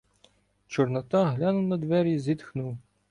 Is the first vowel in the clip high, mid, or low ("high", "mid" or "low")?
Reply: mid